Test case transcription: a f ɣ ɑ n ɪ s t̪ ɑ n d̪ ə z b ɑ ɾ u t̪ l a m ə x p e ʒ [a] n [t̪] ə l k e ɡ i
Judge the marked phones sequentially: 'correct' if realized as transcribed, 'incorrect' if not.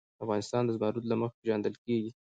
incorrect, incorrect

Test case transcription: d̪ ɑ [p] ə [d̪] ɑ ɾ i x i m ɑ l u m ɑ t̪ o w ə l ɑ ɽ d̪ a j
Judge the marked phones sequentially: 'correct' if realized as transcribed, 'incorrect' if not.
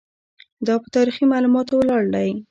correct, incorrect

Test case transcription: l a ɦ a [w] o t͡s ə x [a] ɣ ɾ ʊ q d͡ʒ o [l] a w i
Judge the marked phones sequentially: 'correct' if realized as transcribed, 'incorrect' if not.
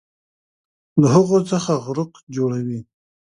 incorrect, correct, incorrect

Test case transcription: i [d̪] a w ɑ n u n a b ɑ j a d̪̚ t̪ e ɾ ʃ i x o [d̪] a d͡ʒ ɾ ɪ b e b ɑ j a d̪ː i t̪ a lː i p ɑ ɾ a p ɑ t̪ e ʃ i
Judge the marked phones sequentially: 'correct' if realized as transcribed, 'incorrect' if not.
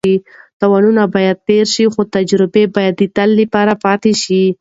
incorrect, incorrect

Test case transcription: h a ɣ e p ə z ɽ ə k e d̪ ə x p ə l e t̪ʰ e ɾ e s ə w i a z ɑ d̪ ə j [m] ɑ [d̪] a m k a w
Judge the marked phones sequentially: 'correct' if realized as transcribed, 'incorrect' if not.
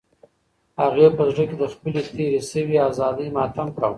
correct, incorrect

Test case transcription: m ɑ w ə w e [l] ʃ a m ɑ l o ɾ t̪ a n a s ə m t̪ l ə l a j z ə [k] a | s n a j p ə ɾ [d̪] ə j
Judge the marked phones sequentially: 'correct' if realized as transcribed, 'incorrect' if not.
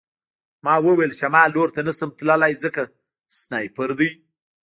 correct, correct, correct

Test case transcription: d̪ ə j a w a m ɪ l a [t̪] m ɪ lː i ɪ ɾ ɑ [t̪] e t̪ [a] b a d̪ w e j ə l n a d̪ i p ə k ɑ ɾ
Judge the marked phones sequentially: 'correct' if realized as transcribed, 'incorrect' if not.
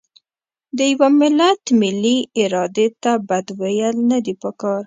correct, incorrect, correct

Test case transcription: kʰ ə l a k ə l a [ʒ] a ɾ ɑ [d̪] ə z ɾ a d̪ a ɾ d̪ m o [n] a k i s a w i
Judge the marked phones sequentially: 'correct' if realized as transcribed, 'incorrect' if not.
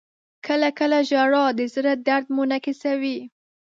correct, correct, correct

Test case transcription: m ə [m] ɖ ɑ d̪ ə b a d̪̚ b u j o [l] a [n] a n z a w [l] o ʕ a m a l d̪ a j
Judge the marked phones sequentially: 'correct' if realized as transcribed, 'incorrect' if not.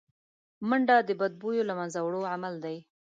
incorrect, correct, incorrect, incorrect

